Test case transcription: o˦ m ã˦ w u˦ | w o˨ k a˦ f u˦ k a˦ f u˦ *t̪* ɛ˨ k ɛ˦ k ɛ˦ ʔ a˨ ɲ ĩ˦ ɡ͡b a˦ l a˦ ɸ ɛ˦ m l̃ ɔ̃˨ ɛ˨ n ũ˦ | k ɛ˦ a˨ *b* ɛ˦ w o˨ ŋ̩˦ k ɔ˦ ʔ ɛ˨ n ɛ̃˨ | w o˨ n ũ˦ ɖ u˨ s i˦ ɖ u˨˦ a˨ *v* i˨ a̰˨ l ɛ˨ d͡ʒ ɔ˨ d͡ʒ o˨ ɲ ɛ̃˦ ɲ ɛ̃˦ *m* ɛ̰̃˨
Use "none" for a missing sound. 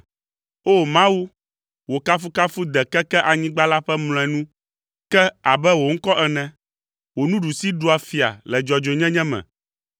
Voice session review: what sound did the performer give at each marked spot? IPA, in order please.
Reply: d̪, b, f, m

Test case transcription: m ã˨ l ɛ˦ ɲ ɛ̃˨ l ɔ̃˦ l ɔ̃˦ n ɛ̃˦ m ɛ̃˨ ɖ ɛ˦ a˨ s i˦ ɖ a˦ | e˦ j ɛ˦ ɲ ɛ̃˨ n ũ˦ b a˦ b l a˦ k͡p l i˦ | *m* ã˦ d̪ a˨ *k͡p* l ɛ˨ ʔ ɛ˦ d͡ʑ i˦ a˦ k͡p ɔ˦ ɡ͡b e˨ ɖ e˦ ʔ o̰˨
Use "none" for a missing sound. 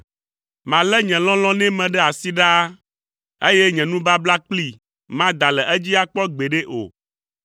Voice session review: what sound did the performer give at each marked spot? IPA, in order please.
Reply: m, none

